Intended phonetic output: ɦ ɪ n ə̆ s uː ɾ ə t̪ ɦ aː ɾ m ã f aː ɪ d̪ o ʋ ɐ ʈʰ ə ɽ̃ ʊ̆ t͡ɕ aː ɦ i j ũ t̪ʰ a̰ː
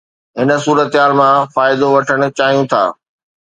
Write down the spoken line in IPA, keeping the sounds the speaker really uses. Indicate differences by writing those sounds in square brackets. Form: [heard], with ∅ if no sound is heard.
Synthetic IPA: ɦ ɪ n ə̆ s uː ɾ ə t̪ ɦ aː [l] m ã f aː ɪ d̪ o ʋ ɐ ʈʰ ə ɽ̃ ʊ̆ t͡ɕ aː ɦ i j ũ t̪ʰ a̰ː